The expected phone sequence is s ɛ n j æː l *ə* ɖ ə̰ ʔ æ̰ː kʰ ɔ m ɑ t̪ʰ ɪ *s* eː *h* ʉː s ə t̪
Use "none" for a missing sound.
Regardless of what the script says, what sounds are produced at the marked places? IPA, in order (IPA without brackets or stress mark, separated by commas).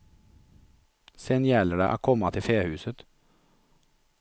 ə, f, h